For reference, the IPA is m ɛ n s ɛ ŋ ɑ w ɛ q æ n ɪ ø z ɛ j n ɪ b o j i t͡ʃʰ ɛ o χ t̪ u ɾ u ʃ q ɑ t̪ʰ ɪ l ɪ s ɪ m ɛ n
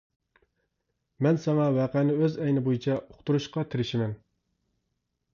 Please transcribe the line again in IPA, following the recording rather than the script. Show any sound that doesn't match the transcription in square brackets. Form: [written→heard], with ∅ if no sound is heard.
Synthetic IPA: m ɛ n s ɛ ŋ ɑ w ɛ q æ n ɪ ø z ɛ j n ɪ b o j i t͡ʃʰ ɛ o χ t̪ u ɾ u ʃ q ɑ t̪ʰ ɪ [l→ɾ] ɪ [s→ʃ] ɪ m ɛ n